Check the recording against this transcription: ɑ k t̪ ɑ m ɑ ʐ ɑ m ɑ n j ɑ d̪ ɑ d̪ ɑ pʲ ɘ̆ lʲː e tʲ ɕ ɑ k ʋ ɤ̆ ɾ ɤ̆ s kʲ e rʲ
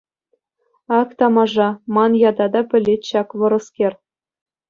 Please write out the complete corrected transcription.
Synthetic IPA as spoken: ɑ k t̪ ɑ m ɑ ʐ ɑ m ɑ n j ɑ d̪ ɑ d̪ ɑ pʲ ɘ̆ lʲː e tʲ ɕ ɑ k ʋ ɤ̆ ɾ ɤ̆ s kʲ e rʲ